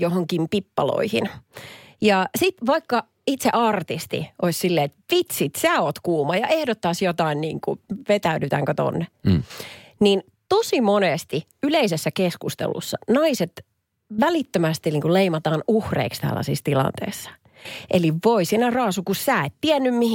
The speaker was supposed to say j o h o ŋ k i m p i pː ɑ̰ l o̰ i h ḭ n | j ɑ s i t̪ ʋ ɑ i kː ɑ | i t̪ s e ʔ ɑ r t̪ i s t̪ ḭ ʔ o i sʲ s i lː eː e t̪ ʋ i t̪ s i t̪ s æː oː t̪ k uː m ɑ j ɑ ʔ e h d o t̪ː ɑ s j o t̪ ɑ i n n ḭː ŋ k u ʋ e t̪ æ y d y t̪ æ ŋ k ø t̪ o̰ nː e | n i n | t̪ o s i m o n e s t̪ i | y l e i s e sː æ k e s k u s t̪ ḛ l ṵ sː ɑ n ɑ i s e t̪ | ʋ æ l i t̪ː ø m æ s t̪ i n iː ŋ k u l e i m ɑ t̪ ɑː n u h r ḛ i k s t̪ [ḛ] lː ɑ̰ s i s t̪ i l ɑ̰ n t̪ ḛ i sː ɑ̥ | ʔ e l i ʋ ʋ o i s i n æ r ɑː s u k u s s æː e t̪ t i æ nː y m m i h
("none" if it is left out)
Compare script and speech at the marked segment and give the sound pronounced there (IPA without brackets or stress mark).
æ̰